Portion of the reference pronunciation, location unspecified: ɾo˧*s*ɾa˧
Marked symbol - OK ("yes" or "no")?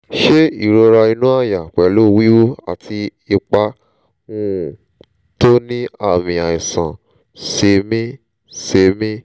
no